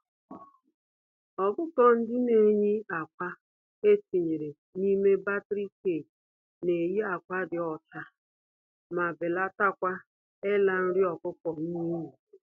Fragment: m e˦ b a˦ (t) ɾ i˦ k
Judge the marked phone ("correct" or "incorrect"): correct